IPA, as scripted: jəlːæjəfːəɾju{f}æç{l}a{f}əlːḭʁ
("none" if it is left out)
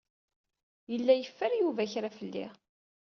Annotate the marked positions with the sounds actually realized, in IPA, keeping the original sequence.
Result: v, ɾ, f

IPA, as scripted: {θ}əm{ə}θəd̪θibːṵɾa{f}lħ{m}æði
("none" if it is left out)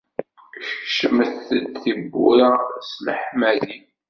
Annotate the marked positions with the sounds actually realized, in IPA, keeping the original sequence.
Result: ʃ, ə, s, m

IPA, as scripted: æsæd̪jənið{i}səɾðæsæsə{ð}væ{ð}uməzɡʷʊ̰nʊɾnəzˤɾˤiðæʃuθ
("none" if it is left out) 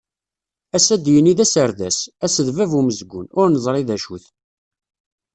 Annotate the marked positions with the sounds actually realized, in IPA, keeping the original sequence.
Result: æ, ð, v

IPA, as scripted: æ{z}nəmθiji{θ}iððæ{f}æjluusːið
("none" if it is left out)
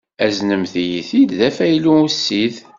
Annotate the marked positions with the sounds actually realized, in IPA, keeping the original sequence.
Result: z, θ, f

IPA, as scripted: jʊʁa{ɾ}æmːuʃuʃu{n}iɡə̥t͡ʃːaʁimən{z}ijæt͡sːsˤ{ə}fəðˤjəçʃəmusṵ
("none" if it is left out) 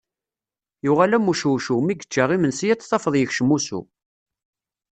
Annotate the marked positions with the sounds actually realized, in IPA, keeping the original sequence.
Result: l, m, s, ɑ

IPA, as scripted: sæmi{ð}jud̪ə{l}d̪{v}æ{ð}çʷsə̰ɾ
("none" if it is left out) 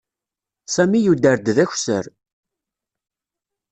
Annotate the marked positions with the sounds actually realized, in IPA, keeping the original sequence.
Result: none, ɾ, ð, none

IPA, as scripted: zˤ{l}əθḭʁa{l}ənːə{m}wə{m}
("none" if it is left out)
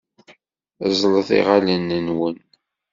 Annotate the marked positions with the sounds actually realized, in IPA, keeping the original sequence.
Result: l, l, n, n

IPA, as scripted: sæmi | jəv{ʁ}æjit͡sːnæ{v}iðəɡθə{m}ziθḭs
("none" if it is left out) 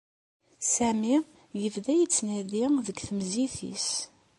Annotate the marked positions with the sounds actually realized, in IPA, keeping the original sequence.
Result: ð, ð, m

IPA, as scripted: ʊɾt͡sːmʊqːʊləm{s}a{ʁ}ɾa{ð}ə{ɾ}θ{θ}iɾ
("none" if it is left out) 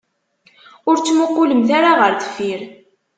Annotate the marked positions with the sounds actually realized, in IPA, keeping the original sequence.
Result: θ, none, ʁ, ɾ, f

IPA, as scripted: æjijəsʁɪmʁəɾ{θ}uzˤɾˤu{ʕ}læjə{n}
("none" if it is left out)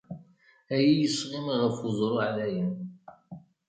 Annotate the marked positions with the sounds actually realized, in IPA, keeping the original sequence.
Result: f, ʕ, n

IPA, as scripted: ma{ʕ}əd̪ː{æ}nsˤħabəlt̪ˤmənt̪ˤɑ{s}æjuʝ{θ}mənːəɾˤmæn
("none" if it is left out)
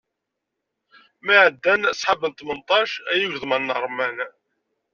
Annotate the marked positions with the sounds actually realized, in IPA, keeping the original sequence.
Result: ʕ, æ, ʃ, ð

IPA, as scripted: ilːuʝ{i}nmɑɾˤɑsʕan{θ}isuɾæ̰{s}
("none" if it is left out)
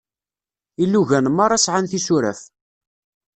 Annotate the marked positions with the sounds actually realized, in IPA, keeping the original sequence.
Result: æ, θ, f

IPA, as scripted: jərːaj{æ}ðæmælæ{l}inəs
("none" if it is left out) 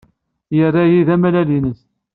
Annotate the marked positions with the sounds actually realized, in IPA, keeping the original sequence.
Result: i, l

